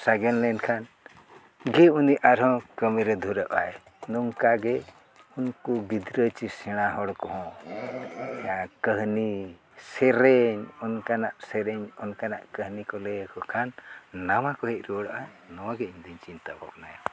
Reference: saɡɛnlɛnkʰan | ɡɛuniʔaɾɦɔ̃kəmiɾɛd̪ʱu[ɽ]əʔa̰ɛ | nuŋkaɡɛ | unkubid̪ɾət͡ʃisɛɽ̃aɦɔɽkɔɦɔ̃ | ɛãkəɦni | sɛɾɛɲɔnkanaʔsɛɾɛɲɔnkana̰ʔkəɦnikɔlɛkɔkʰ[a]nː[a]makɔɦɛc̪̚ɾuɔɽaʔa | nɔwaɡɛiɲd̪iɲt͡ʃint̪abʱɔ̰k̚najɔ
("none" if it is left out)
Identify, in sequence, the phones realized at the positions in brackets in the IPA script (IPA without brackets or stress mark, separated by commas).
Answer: ɾ, a, a